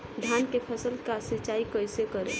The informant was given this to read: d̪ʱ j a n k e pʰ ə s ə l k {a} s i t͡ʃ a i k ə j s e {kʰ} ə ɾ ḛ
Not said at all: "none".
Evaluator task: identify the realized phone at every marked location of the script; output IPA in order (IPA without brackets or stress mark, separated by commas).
a, k